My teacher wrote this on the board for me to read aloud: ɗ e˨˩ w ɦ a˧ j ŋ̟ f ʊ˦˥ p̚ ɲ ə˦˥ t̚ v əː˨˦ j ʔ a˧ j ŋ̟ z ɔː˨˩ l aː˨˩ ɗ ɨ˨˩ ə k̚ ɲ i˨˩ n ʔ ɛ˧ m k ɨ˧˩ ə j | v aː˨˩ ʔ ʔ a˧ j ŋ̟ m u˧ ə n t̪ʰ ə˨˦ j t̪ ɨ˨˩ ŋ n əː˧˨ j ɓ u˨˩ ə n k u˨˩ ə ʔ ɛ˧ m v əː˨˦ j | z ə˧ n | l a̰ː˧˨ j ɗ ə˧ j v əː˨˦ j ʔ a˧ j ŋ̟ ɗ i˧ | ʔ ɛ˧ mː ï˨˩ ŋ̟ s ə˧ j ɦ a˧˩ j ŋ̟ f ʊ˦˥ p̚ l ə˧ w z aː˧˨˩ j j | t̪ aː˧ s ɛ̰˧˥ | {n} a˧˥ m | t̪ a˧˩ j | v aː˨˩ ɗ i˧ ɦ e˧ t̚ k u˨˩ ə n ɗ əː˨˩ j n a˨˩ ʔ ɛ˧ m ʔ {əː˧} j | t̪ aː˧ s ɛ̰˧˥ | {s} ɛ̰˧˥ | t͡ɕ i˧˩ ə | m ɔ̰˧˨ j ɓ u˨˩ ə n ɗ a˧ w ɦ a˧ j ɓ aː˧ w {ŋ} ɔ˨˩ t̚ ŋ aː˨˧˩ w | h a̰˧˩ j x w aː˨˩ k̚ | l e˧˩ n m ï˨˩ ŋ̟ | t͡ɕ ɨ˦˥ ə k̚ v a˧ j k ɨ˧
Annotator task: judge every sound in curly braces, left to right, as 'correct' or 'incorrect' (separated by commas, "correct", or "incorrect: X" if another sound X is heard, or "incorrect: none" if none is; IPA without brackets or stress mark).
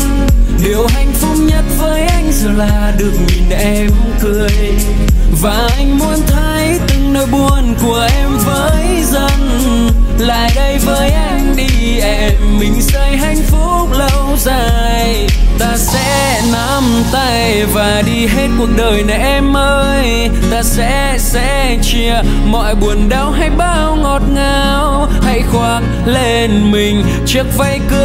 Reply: correct, correct, correct, correct